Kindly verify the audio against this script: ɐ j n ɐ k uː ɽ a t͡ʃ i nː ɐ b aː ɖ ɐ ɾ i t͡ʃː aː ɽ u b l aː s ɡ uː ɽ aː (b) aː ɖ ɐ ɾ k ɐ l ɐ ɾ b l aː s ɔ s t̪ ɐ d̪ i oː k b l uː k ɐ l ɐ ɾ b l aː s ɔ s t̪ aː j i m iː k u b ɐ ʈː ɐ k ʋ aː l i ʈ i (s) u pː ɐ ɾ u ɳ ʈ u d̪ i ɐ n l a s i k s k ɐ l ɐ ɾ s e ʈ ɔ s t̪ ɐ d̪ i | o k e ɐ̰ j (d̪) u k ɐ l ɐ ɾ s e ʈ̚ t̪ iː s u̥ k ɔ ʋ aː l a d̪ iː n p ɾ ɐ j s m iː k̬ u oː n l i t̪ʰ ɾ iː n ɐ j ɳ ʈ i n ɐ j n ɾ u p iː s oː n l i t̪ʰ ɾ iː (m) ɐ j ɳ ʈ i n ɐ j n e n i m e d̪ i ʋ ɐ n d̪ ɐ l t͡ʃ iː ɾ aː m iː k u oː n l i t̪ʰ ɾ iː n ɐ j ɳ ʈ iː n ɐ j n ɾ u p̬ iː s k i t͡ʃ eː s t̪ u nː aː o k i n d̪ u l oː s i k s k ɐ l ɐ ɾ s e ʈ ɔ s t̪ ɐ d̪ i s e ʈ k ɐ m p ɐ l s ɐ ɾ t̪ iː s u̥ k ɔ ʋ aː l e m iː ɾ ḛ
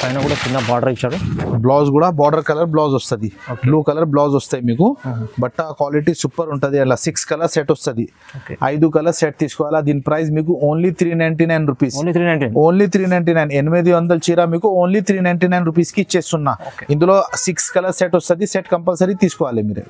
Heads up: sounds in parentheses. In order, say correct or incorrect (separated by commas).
correct, correct, correct, incorrect